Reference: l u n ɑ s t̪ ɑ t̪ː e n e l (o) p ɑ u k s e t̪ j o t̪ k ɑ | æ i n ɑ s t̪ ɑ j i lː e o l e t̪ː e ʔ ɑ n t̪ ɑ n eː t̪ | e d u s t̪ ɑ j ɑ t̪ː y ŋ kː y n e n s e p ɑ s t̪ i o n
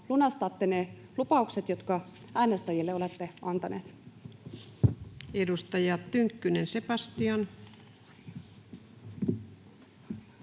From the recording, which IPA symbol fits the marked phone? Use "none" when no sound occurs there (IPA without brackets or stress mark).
u